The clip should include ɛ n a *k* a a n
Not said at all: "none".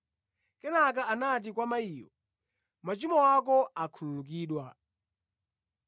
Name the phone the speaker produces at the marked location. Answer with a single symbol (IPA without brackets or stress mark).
k